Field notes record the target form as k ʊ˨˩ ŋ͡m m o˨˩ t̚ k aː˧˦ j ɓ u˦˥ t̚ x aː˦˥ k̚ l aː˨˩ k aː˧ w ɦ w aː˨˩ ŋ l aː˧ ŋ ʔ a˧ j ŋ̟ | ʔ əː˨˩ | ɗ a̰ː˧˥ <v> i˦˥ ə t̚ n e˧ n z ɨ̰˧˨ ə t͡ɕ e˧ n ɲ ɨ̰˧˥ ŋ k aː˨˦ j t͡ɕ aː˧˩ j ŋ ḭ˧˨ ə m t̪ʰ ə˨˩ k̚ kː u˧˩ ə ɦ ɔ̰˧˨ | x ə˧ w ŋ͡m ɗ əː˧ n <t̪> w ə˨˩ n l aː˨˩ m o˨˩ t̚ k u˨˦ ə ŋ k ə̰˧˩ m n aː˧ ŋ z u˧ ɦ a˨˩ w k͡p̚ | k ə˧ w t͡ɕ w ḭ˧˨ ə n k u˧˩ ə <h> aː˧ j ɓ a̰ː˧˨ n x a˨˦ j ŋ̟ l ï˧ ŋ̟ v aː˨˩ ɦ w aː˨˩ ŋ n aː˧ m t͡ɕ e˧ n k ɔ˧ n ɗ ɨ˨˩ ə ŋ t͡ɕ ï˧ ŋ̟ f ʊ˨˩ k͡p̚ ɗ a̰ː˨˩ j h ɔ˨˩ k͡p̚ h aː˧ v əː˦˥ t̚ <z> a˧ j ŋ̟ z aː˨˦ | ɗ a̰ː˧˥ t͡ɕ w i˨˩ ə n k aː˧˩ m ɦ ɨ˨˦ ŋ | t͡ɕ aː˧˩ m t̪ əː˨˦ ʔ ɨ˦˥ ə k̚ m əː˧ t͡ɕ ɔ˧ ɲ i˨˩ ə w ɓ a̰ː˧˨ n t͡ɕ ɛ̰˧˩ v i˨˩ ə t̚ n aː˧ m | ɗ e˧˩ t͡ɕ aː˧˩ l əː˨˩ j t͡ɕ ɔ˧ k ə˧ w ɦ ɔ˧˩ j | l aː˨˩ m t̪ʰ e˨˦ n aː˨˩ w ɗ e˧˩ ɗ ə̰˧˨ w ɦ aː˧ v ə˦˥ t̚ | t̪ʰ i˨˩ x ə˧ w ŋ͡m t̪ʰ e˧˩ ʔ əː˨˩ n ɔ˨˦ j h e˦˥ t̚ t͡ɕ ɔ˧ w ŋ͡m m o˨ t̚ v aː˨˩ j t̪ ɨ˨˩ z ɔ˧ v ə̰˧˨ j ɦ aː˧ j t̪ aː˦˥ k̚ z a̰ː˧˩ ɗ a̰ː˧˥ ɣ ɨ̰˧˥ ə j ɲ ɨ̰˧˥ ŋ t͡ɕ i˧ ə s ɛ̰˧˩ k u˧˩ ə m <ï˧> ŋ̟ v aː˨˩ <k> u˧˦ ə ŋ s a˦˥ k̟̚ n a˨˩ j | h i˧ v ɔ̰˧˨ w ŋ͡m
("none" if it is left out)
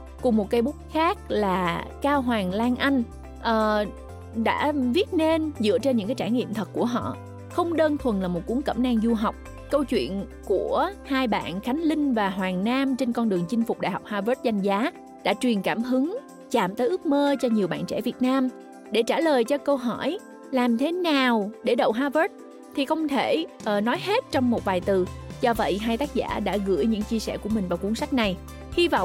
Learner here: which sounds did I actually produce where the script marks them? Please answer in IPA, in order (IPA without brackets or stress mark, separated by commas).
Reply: v, t̪ʰ, h, z, ï˨˩, k